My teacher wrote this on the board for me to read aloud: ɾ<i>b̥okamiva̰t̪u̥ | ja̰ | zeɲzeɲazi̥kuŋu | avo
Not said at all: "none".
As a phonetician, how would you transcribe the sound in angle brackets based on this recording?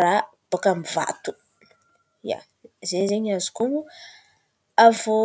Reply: a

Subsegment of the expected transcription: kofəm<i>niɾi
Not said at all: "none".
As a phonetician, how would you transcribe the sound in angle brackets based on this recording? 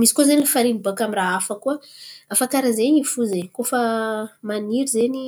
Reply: a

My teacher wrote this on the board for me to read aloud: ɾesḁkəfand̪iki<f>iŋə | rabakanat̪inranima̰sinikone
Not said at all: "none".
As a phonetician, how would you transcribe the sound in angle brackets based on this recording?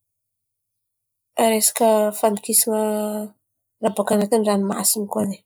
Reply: s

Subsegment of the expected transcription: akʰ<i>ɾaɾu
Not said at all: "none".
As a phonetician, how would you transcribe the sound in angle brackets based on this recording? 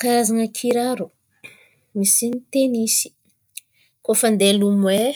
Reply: i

